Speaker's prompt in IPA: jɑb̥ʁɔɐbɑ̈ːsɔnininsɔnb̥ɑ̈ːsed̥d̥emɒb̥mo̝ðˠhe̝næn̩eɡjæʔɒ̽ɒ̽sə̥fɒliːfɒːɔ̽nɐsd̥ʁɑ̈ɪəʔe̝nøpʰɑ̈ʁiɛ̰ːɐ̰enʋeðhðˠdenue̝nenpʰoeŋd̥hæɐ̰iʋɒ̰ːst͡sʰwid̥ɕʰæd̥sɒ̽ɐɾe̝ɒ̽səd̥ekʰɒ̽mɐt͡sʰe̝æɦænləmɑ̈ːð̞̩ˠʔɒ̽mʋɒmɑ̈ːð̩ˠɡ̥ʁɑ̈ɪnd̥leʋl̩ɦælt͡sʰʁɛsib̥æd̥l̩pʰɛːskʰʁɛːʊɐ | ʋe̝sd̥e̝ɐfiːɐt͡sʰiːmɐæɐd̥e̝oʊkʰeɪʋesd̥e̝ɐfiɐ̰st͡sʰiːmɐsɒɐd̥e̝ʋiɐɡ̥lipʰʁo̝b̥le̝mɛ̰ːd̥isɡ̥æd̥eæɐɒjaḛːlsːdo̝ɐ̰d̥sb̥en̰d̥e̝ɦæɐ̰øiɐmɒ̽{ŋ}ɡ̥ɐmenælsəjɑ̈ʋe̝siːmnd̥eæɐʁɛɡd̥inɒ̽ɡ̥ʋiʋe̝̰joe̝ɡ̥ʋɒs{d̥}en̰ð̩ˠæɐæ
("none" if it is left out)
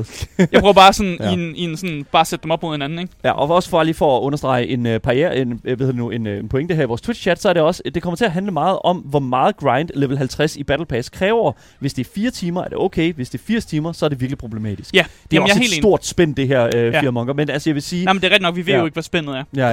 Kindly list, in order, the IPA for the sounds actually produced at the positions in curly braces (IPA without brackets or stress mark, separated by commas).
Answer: ŋ, b̥